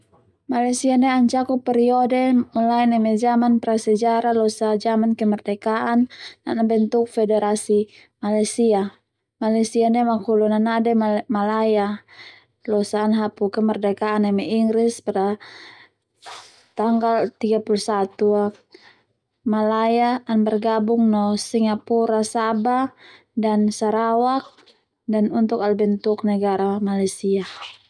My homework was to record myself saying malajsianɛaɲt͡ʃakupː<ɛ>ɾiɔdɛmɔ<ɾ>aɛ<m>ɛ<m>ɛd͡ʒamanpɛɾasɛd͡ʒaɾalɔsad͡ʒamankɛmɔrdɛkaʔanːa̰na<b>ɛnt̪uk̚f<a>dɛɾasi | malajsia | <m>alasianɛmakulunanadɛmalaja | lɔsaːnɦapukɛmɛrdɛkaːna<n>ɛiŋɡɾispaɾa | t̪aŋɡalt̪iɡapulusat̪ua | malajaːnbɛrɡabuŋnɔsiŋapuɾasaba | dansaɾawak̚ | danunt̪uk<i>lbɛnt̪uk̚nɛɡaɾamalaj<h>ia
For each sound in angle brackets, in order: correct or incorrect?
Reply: correct, incorrect: l, incorrect: n, correct, correct, incorrect: ɛ, correct, incorrect: m, incorrect: a, incorrect: s

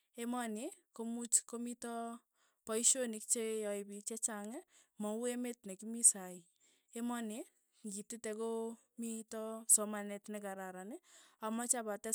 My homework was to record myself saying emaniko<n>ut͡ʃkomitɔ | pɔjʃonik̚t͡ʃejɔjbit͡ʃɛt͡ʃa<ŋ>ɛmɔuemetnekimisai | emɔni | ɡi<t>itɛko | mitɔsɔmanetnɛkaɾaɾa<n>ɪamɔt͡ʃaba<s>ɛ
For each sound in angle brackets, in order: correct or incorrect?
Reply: incorrect: m, correct, correct, correct, incorrect: t

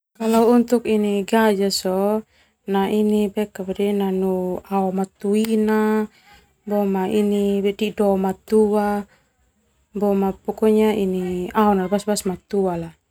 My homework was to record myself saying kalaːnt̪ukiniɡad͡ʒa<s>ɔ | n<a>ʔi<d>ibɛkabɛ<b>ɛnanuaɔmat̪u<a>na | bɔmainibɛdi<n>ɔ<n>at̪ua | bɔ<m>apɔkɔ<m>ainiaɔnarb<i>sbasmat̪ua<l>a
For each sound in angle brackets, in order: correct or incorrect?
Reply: correct, correct, incorrect: n, incorrect: d, incorrect: i, incorrect: d, incorrect: m, correct, incorrect: ɲ, incorrect: a, correct

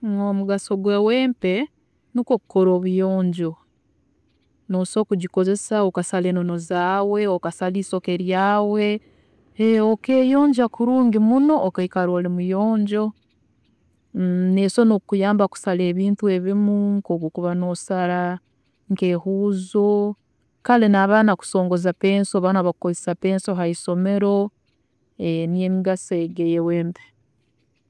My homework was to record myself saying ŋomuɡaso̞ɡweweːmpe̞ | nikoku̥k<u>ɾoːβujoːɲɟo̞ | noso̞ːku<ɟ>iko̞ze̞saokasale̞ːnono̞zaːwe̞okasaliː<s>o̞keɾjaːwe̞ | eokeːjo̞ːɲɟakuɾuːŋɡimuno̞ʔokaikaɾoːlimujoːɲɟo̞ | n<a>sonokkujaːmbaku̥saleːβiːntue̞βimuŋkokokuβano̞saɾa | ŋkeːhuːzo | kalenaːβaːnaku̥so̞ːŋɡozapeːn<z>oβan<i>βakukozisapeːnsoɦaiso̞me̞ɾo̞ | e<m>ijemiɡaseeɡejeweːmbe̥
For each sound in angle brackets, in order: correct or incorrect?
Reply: incorrect: o, correct, correct, incorrect: e, incorrect: s, incorrect: a, incorrect: n

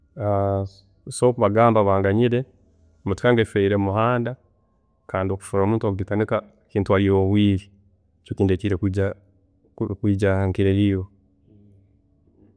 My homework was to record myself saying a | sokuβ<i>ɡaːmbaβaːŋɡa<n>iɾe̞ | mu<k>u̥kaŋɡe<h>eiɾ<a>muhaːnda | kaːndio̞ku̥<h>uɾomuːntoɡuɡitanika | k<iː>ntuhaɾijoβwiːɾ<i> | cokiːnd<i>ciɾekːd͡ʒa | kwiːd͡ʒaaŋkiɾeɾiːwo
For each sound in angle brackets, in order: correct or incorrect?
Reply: incorrect: a, incorrect: ɲ, incorrect: t, incorrect: f, incorrect: e, incorrect: f, correct, correct, incorrect: e

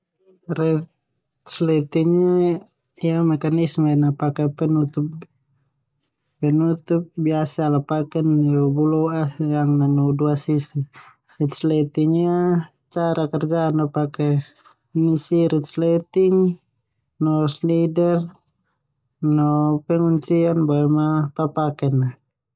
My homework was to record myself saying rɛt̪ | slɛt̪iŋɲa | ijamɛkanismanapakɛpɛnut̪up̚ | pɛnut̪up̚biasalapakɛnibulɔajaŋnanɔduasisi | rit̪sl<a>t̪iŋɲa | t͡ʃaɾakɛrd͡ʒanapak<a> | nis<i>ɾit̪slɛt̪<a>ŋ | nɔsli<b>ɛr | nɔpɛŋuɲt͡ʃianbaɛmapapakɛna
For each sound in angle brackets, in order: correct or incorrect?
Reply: incorrect: ɛ, incorrect: ɛ, correct, incorrect: i, incorrect: d

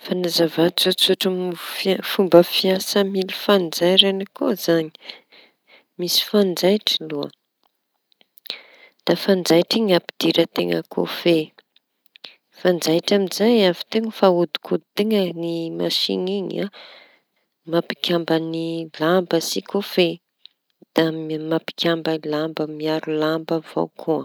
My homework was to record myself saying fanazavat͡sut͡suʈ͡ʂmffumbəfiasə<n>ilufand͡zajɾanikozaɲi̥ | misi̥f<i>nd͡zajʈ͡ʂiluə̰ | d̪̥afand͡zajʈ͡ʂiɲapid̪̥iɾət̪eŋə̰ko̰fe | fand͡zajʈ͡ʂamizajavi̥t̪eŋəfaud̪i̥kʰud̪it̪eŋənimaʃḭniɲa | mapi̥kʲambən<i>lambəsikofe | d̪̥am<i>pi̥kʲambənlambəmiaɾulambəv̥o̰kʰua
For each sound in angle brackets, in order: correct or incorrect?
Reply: incorrect: m, incorrect: a, correct, incorrect: a

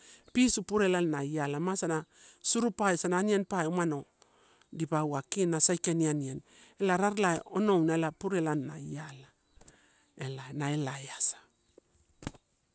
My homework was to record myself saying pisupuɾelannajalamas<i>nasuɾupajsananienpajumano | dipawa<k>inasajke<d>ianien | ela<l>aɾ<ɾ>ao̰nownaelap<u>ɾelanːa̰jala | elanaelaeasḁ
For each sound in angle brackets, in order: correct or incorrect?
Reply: incorrect: a, correct, incorrect: n, incorrect: ɾ, incorrect: l, correct

